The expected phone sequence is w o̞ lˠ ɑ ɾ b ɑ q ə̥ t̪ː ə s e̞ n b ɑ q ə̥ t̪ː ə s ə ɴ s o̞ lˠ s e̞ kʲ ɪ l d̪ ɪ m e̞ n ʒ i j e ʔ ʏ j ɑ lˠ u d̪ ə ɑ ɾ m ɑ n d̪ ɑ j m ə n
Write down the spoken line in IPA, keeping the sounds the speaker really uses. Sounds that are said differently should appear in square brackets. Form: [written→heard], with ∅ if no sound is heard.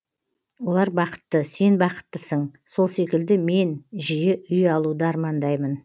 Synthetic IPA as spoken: w o̞ lˠ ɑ ɾ b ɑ q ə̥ t̪ː ə s e̞ n b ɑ q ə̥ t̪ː ə s ə ɴ s o̞ lˠ s e̞ kʲ ɪ l d̪ ɪ m e̞ n ʒ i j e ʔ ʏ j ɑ lˠ u d̪ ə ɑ ɾ m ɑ n d̪ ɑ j m ə n